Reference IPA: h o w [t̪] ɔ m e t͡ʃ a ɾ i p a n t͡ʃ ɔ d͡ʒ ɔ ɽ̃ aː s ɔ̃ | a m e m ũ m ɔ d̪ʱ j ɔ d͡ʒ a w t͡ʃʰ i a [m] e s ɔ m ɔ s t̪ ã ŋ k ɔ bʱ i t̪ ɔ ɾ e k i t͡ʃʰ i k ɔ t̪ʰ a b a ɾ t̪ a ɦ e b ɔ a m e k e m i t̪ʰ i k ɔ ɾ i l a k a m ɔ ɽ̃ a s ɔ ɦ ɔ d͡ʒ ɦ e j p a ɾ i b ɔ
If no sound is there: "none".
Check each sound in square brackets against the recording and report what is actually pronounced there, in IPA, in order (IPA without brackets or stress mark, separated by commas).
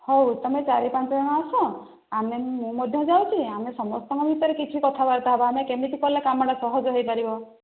t̪, m